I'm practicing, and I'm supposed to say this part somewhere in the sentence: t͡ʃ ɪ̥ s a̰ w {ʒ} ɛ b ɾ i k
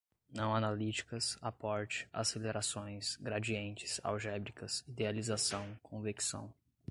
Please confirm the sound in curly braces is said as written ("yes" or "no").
yes